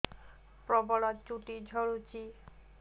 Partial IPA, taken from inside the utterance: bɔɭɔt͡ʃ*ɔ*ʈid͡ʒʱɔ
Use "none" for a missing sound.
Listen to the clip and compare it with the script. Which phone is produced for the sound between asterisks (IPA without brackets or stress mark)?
u